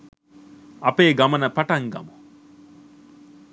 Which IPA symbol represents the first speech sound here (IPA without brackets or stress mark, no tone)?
ɐ